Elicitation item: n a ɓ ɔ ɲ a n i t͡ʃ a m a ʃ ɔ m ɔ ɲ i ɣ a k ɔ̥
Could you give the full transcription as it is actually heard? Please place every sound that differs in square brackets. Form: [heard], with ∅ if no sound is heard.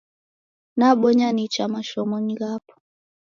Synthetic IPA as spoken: n a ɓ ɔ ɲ a n i t͡ʃ a m a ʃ ɔ m ɔ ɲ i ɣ a [p] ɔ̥